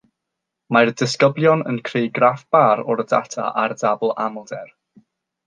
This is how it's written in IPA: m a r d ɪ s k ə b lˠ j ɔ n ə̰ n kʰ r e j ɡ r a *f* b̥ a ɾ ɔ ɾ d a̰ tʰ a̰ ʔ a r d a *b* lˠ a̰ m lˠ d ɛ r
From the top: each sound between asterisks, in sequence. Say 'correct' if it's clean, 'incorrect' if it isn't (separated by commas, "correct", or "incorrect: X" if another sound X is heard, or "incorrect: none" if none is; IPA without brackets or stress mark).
correct, correct